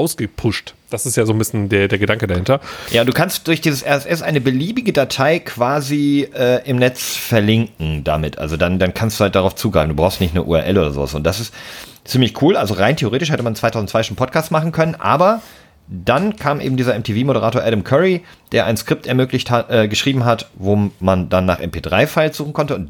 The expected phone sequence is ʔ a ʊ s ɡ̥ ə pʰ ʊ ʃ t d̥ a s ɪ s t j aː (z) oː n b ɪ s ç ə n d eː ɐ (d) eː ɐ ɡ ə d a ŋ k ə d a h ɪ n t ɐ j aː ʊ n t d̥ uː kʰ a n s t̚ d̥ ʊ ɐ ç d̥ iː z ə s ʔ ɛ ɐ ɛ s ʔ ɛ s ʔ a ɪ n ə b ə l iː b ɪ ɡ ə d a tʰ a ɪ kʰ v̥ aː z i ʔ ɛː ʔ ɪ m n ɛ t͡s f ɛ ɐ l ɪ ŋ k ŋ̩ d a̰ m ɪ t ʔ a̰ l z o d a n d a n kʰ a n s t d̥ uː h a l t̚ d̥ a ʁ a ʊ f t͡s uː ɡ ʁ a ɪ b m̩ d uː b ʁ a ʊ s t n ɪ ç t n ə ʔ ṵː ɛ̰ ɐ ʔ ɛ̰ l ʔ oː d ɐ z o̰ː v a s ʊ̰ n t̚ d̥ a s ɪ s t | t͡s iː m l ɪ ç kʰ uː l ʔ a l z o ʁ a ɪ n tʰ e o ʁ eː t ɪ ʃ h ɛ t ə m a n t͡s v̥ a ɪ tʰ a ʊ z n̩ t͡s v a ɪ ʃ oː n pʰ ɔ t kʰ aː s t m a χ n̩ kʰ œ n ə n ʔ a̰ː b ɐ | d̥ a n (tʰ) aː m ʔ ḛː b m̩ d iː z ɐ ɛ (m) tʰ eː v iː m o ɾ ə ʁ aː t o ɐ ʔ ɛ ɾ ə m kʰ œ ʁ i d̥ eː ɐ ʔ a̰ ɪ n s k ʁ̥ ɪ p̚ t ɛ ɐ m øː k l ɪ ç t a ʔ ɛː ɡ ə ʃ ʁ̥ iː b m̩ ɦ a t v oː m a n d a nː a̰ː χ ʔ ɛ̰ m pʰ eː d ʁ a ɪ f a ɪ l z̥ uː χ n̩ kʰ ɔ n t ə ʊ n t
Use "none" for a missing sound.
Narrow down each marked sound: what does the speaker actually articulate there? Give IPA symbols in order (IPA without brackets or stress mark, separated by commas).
z, d, kʰ, m